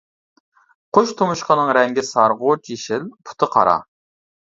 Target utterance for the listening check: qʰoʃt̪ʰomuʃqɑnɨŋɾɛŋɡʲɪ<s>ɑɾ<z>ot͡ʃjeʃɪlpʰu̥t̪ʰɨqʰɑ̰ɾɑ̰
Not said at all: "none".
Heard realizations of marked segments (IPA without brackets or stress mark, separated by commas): s, ʁ